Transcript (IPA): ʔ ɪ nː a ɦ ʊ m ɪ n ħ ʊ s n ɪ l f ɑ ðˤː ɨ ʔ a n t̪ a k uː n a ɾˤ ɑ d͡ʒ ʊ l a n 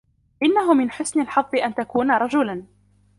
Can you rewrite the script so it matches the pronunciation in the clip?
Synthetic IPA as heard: ʔ ɪ nː a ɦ ʊ m ɪ n ħ ʊ s n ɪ l ħ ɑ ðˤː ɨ ʔ a n t̪ a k uː n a ɾˤ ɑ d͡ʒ ʊ l a n